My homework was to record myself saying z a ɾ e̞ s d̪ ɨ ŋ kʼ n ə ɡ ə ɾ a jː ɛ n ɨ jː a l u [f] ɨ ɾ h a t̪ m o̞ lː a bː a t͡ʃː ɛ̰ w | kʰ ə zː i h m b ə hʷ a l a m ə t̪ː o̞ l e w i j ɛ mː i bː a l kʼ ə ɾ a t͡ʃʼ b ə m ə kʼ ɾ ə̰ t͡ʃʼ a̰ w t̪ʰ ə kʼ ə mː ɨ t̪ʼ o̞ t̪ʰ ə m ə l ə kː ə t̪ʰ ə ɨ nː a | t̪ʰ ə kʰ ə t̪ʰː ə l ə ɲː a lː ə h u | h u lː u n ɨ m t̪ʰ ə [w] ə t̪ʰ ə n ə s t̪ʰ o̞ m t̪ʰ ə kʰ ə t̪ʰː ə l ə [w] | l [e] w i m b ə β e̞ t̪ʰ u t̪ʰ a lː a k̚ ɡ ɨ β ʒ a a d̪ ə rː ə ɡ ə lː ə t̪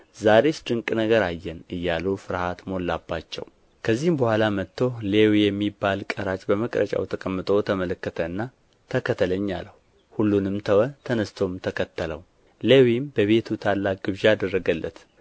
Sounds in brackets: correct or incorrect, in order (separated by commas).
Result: correct, correct, correct, correct